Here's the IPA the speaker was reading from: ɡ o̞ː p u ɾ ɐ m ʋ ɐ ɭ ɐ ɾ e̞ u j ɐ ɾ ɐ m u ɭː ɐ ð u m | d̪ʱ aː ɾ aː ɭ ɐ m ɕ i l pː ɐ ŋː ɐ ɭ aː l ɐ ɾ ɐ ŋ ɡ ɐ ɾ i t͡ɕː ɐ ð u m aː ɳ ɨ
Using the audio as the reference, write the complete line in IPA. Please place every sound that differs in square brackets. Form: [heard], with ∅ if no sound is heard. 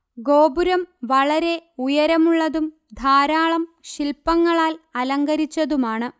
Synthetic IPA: ɡ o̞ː [b] u ɾ ɐ m ʋ ɐ ɭ ɐ ɾ e̞ u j ɐ ɾ ɐ m u ɭː ɐ ð u m | d̪ʱ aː ɾ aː ɭ ɐ m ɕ i l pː ɐ ŋː ɐ ɭ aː l ɐ [l] ɐ ŋ ɡ ɐ ɾ i t͡ɕː ɐ ð u m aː ɳ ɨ